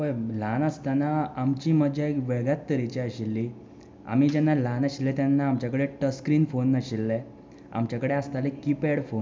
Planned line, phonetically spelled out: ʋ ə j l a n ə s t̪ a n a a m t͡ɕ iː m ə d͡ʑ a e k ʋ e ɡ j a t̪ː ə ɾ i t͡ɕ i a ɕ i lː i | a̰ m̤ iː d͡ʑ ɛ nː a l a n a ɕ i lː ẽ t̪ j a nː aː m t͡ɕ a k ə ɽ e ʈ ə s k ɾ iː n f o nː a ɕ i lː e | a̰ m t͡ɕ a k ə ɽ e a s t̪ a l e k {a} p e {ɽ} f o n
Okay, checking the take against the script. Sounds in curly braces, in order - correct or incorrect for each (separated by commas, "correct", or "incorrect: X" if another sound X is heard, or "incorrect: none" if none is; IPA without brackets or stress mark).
incorrect: i, correct